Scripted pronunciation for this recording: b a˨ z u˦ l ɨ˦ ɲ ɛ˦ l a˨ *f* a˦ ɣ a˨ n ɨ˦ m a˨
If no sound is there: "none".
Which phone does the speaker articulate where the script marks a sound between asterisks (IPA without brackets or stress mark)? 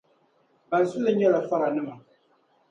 f